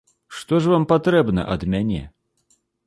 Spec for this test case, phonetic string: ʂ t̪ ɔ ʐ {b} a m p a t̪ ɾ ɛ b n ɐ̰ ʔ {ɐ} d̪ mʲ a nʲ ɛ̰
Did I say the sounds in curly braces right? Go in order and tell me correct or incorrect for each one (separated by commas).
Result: incorrect, correct